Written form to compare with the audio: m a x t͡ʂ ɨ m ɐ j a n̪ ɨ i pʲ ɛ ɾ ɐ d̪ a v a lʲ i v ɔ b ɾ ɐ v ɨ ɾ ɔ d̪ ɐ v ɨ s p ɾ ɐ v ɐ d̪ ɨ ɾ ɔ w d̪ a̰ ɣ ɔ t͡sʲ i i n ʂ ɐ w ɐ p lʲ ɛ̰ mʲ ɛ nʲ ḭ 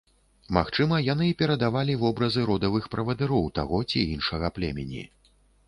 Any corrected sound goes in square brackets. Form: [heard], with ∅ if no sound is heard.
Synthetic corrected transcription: m a x t͡ʂ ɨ m ɐ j a n̪ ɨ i pʲ ɛ ɾ ɐ d̪ a v a lʲ i v ɔ b ɾ ɐ [z] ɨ ɾ ɔ d̪ ɐ v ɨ [x] p ɾ ɐ v ɐ d̪ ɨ ɾ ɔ w [t̪] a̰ ɣ ɔ t͡sʲ i i n ʂ ɐ [ɣ] ɐ p lʲ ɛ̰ mʲ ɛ nʲ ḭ